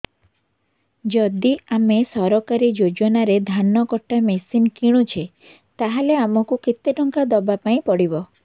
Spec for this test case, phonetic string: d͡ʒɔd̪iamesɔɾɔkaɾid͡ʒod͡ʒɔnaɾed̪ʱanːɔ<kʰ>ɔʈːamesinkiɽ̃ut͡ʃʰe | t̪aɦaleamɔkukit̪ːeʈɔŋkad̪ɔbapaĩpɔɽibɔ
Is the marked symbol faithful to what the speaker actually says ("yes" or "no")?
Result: no